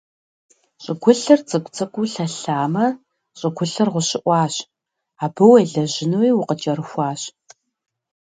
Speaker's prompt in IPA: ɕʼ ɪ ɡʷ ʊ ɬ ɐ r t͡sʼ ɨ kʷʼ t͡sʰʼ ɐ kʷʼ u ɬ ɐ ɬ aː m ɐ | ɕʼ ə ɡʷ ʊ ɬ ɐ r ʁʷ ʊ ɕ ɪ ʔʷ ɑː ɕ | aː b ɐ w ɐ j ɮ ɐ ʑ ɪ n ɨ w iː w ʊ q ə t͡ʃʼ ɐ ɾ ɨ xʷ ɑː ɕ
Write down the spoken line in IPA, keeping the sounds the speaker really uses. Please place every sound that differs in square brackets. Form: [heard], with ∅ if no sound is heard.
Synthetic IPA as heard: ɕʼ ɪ ɡʷ ʊ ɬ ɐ r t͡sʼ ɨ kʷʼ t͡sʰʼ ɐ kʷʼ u ɬ ɐ ɬ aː m ɐ | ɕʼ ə ɡʷ ʊ ɬ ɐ r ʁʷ ʊ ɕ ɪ ʔʷ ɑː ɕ | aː b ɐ w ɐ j ɮ ɐ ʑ ɪ n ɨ w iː w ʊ q ə t͡ʃʼ ɐ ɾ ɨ xʷ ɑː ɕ